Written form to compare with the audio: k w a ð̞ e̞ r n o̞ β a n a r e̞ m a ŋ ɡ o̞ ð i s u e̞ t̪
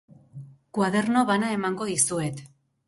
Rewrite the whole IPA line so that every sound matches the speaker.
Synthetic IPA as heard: k w a ð̞ e̞ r n o̞ β a n a e̞ m a ŋ ɡ o̞ ð i s u e̞ t̪